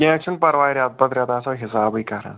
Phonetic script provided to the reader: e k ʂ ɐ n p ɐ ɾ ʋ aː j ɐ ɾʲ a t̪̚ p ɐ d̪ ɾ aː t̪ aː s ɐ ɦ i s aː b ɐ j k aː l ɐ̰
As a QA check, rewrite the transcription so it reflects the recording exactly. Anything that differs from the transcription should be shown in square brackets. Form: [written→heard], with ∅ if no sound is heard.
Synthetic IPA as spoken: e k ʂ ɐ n p ɐ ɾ ʋ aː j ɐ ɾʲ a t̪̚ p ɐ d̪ ɾ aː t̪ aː s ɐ ɦ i s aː b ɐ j k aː [l→ɾ] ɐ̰